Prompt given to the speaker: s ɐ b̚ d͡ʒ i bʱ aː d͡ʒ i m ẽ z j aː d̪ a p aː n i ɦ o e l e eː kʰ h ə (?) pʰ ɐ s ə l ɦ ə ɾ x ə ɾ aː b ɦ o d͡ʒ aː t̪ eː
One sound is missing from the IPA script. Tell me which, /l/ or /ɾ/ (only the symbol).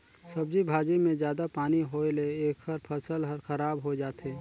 ɾ